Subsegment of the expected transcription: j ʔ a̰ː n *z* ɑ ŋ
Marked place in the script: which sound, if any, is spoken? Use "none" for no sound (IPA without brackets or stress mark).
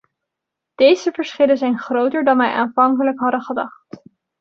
v